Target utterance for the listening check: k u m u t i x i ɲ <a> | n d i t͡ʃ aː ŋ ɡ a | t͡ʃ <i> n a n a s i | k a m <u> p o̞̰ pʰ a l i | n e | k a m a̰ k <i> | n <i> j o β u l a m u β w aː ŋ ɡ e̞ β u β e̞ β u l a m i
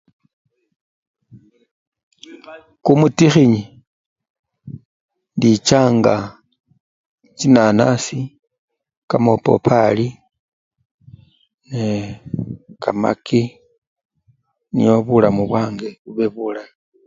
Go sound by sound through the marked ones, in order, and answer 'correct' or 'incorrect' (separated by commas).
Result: incorrect, correct, incorrect, correct, correct